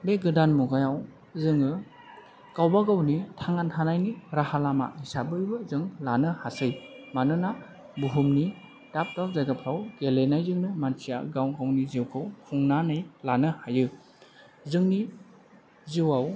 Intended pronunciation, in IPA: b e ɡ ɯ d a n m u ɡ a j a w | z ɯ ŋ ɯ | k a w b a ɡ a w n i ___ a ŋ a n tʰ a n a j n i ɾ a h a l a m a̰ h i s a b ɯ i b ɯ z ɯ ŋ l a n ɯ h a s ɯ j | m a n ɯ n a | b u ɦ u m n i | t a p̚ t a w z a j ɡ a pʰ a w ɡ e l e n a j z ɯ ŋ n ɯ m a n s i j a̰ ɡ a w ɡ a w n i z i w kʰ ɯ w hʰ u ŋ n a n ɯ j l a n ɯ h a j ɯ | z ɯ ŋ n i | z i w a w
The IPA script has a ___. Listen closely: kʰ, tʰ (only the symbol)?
tʰ